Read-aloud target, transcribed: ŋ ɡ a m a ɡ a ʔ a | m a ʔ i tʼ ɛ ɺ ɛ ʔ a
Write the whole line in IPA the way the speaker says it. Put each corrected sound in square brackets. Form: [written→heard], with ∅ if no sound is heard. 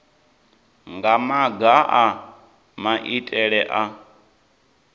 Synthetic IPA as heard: ŋ ɡ a m a ɡ a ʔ a | m a ʔ i tʼ ɛ ɺ ɛ ʔ a

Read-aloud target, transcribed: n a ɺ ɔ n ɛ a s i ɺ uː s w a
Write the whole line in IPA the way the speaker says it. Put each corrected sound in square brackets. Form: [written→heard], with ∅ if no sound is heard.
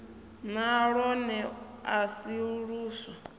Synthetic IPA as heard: n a ɺ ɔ n ɛ a s i ɺ uː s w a

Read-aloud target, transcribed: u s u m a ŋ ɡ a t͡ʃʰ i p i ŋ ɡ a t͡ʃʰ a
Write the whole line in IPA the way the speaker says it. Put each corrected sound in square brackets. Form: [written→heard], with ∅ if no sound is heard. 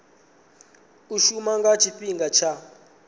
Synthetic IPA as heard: u [s→ʃ] u m a ŋ ɡ a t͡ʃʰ i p i ŋ ɡ a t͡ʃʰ a

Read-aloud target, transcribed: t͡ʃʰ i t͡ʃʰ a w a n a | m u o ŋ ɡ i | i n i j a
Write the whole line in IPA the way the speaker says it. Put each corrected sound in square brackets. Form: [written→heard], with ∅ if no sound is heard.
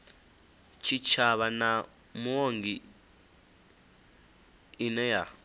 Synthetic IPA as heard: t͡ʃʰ i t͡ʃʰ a [w→β] a n a | m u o ŋ ɡ i | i n [i→ɛ] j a

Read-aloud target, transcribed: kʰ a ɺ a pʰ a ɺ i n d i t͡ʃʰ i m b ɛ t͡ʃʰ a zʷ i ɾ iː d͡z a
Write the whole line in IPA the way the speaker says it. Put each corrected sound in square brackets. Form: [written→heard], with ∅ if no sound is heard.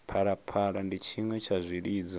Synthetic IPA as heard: [kʰ→pʰ] a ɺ a pʰ a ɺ [i→a] n d i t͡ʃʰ i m [b→w] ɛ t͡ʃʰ a zʷ i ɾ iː d͡z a

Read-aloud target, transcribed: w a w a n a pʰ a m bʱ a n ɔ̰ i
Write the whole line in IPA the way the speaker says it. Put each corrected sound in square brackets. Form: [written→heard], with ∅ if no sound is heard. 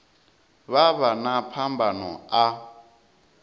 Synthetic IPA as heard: [w→β] a [w→β] a n a pʰ a m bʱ a n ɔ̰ [i→a]

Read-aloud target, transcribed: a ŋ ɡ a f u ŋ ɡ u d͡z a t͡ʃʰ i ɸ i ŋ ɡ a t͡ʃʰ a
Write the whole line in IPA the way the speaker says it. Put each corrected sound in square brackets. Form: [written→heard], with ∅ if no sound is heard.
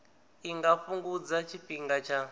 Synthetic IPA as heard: [a→i] ŋ ɡ a f u ŋ ɡ u d͡z a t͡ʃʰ i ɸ i ŋ ɡ a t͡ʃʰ a

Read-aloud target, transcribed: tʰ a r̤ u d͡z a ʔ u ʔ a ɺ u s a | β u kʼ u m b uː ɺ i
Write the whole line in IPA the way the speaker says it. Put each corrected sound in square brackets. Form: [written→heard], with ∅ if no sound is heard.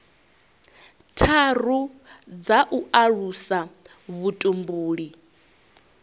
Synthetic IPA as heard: tʰ a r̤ u d͡z a ʔ u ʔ a ɺ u s a | β u [kʼ→tʼ] u m b uː ɺ i

